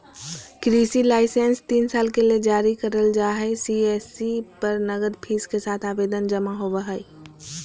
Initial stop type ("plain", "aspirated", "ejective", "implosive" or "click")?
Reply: plain